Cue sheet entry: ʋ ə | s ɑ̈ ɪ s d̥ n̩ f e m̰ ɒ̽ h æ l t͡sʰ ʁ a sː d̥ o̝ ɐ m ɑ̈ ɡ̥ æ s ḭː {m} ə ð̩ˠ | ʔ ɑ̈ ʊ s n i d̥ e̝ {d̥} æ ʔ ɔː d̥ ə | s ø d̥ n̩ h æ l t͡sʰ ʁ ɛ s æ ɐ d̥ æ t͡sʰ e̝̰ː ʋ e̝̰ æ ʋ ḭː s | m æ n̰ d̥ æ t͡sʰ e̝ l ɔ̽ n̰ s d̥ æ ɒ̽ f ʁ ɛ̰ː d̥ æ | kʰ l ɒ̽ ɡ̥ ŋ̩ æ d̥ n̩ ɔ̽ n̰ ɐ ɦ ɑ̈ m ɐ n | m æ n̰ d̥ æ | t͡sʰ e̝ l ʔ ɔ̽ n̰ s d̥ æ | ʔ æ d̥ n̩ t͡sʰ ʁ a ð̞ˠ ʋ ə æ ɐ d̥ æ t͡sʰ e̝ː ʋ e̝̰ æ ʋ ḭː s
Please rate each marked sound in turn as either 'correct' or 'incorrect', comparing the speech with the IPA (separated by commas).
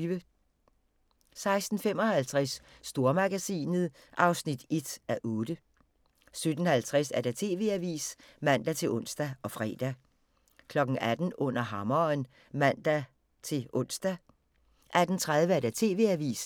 incorrect, correct